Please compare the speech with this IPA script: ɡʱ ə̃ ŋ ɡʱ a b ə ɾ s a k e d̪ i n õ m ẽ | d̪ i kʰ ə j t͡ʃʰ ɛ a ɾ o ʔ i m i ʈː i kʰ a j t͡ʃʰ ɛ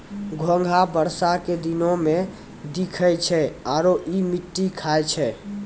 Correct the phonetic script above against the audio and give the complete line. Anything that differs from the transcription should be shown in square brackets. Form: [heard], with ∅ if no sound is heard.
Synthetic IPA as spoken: ɡʱ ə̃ ŋ ɡʱ a b ə ɾ s a k e d̪ i n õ m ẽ | d̪ i kʰ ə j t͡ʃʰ ɛ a ɾ o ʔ i m i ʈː i kʰ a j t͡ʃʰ ɛ